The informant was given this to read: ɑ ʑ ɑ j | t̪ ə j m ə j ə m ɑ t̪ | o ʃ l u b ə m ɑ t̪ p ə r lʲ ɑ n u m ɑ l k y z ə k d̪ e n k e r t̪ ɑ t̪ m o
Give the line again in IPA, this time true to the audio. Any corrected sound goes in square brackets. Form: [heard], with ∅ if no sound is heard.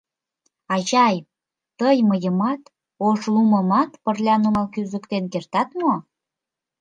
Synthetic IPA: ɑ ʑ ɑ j | t̪ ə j m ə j ə m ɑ t̪ | o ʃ l u [m] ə m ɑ t̪ p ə r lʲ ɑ n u m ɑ l k y z ə k [t̪] e n k e r t̪ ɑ t̪ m o